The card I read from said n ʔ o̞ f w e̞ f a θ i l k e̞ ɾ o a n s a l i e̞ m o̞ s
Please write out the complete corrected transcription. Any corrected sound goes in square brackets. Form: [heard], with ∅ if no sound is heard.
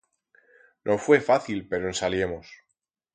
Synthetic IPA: n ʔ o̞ f w e̞ f a θ i l [p] e̞ ɾ o [e] n s a l [j] e̞ m o̞ s